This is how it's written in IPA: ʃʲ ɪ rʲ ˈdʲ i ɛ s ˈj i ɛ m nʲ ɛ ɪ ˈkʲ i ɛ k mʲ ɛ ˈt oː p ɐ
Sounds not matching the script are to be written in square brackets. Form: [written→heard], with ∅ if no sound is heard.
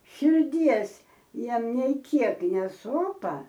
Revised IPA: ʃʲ ɪ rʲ ˈdʲ i ɛ s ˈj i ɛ m nʲ ɛ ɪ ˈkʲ i ɛ k [mʲ→nʲ] ɛ [ˈt→ˈs] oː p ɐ